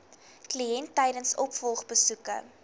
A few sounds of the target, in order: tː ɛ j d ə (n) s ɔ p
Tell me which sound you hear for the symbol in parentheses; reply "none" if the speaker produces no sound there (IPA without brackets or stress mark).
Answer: n